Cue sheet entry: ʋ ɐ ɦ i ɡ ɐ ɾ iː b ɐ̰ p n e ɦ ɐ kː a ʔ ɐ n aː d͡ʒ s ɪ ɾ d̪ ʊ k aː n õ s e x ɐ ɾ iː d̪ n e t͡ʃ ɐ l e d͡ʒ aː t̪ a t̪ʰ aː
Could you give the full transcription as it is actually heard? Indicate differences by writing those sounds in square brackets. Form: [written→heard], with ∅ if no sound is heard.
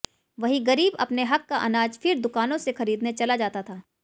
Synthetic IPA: ʋ ɐ ɦ i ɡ ɐ ɾ iː b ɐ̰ p n e ɦ ɐ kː a ʔ ɐ n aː d͡ʒ [s→f] ɪ ɾ d̪ ʊ k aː n õ s e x ɐ ɾ iː d̪ n e t͡ʃ ɐ l [e→a] d͡ʒ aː t̪ a t̪ʰ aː